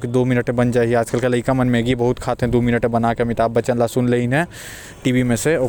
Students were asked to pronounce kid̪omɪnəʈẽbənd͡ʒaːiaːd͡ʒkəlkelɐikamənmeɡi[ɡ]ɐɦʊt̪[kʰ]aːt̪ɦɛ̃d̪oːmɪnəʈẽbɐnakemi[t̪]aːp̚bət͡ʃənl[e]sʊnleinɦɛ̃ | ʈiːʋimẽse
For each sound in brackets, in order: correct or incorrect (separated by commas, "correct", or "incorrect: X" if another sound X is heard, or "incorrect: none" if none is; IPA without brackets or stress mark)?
incorrect: b, correct, correct, incorrect: a